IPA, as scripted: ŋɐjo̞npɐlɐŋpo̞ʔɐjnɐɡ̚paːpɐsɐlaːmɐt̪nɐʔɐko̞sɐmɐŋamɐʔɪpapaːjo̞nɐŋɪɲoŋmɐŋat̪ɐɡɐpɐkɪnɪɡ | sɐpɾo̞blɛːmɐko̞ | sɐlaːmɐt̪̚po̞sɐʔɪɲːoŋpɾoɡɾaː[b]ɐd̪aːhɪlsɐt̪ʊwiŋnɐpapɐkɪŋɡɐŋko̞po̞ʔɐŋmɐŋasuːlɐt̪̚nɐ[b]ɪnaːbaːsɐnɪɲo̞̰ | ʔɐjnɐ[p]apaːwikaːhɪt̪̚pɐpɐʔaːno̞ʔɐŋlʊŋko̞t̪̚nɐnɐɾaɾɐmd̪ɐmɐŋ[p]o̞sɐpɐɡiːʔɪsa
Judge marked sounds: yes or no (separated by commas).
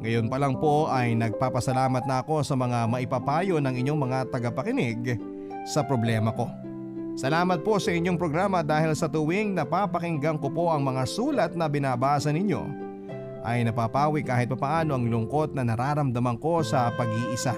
no, yes, yes, no